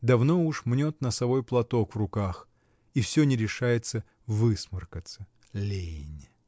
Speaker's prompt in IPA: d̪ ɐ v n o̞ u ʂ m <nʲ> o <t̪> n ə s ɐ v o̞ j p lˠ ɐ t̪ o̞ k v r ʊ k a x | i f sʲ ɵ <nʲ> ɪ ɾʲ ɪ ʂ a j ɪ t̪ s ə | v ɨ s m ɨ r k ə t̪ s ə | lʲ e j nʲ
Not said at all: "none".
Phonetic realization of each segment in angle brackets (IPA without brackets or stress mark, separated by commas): nʲ, t̪, nʲ